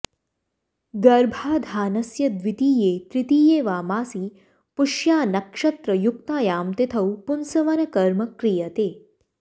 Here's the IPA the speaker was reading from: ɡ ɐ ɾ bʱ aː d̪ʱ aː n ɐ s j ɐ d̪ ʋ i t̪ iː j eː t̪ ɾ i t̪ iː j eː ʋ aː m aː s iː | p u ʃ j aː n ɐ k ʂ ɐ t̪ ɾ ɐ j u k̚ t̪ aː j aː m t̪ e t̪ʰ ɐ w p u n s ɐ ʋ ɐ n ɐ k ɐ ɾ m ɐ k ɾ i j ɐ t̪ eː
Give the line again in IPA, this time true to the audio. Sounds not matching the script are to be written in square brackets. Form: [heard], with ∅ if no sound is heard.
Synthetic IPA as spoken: ɡ ɐ ɾ bʱ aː d̪ʱ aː n ɐ s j ɐ d̪ ʋ i t̪ iː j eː t̪ ɾ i t̪ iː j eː ʋ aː m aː s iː | p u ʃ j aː n ɐ k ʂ ɐ t̪ ɾ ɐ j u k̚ t̪ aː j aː m t̪ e t̪ʰ ɐ w p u n s ɐ ʋ ɐ n ɐ k ɐ ɾ m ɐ k ɾ i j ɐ t̪ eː